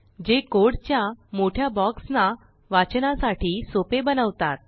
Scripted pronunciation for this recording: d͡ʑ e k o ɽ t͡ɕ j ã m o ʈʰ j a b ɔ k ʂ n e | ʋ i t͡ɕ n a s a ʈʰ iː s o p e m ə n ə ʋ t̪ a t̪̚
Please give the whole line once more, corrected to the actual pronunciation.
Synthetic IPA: d͡ʑ e k o ɽ t͡ɕ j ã m o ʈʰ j a b ɔ k s n a | ʋ a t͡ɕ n a s a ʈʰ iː s o p e b ə n ə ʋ t̪ a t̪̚

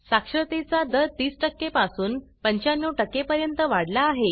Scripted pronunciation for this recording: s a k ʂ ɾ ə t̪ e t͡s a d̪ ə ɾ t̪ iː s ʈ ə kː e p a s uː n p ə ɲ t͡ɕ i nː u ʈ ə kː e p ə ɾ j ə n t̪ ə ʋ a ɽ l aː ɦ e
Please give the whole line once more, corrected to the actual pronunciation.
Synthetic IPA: s a k ʂ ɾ ə t̪ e t͡s a d̪ ə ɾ t̪ iː s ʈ ə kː e p a s uː n p ə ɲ t͡ɕ a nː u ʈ ə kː e p ə ɾ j ə n t̪ ə ʋ a ɽ l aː ɦ e

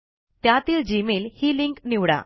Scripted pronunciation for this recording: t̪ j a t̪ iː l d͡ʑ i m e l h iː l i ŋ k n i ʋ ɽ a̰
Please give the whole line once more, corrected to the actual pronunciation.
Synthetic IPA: t̪ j a t̪ iː l d͡ʑ i m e l h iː l i ŋ k n i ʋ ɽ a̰

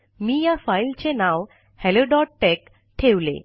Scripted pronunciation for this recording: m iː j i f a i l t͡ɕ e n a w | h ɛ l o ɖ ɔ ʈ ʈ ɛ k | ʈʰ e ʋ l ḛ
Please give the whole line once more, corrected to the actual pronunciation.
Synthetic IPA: m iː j a f a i l t͡ɕ e n a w | h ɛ l o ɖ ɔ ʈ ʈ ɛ k | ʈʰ e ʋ l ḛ

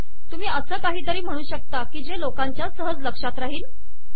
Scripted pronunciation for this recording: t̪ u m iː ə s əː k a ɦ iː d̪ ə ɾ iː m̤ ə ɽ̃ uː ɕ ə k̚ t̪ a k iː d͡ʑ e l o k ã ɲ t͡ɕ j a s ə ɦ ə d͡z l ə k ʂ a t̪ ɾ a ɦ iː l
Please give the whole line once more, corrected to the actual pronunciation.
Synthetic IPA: t̪ u m iː ə s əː k a ɦ iː t̪ ə ɾ iː m̤ ə ɽ̃ uː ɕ ə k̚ t̪ a k iː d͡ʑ e l o k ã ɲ t͡ɕ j a s ə ɦ ə d͡z l ə k ʂ a t̪ ɾ a ɦ iː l

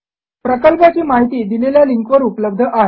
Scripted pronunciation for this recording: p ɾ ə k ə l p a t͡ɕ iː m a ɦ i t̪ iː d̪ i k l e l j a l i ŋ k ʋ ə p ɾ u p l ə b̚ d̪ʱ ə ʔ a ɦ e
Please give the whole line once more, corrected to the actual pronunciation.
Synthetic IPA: p ɾ ə k ə l p a t͡ɕ iː m a ɦ i t̪ iː d̪ i l e l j a l i ŋ k ʋ ə ɾ u p l ə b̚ d̪ʱ ə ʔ a ɦ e

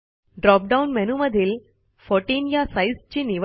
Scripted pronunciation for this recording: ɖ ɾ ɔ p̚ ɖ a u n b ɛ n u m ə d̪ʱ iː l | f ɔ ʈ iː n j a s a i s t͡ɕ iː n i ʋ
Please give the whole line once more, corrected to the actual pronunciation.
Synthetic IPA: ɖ ɾ ɔ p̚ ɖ a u n m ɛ n u m ə d̪ʱ iː l | f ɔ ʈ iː n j a s a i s t͡ɕ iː n i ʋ

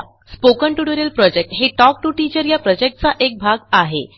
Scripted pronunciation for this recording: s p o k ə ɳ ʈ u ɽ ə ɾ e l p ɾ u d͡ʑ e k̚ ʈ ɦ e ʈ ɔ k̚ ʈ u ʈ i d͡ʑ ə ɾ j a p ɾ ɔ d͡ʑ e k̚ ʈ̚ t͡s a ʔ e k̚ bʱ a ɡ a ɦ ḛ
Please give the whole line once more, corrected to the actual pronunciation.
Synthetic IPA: s p o k ə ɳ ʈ u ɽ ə ɾ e l p ɾ ɔ d͡ʑ e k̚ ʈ ɦ e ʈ ɔ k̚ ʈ u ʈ i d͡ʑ ə ɾ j a p ɾ ɔ d͡ʑ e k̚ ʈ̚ t͡s a ʔ e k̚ bʱ a ɡ a ɦ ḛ

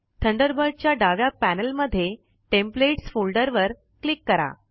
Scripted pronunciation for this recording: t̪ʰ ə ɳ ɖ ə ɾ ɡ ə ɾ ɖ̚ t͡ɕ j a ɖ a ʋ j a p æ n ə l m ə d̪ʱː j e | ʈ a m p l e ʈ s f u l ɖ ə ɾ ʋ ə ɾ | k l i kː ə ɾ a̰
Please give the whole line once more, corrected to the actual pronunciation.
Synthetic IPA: t̪ʰ ə ɳ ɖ ə ɾ b ə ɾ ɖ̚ t͡ɕ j a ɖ a ʋ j a p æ n ə l m ə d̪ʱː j e | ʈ e m p l e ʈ s f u l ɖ ə ɾ ʋ ə ɾ | k l i kː ə ɾ a̰

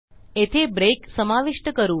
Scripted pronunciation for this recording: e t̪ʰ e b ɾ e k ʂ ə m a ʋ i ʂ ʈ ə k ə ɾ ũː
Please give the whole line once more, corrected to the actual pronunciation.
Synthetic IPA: e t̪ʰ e b ɾ e k s ə m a ʋ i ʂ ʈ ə k ə ɾ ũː

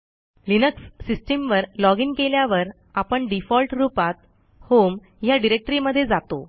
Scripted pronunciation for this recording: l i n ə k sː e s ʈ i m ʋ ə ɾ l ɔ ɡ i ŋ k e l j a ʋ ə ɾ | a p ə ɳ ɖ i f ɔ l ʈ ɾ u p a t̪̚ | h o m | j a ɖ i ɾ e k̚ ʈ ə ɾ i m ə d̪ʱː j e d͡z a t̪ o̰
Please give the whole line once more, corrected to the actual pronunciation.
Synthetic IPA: l i n ə k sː i s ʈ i m ʋ ə ɾ l ɔ ɡ i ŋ k e l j a ʋ ə ɾ | a p ə ɳ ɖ i f ɔ l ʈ ɾ u p a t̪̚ | h o m | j a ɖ i ɾ e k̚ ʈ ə ɾ i m ə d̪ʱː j e d͡z a t̪ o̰

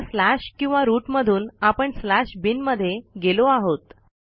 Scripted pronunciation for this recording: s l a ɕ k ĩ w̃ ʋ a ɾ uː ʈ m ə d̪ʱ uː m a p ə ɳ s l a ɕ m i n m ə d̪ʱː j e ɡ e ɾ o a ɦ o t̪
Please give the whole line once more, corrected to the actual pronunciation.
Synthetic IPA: s l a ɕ k ĩ w̃ ʋ a ɾ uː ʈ m ə d̪ʱ uː n a p ə ɳ s l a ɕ b i n m ə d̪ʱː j e ɡ e l o a ɦ o t̪

